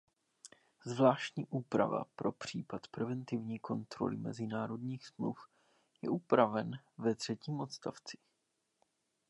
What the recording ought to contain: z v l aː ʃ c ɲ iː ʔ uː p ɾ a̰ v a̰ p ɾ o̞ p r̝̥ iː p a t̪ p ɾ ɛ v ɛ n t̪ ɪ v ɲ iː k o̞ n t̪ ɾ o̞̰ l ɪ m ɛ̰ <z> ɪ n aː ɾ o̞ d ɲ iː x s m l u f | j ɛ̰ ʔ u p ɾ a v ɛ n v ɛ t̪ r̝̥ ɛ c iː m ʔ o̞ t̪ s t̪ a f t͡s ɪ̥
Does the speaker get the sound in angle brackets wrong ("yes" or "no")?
no